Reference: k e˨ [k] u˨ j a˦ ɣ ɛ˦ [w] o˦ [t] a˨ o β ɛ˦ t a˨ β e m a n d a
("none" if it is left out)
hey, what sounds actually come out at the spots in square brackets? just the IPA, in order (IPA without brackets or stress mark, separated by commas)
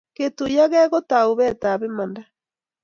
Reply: t, ɣ, t